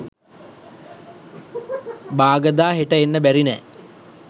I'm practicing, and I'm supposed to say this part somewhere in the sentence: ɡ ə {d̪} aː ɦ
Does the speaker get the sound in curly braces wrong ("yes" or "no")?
no